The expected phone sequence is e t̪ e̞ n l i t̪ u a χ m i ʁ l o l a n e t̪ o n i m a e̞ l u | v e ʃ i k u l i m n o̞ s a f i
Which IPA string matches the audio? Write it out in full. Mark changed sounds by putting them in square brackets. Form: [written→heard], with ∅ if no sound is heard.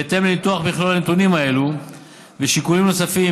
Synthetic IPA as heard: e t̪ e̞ [n→m] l i t̪ u a χ [m→b] i [ʁ→χ] l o l a n e t̪ [o→u] n i m a e̞ l u | v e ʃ i k u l i m n o̞ s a f i